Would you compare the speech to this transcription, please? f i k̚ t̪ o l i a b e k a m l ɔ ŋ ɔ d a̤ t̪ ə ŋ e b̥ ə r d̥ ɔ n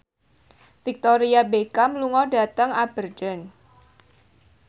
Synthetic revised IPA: f i k̚ t̪ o ɾ i a b e k a m l u ŋ ɔ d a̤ t̪ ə ŋ a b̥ ə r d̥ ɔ n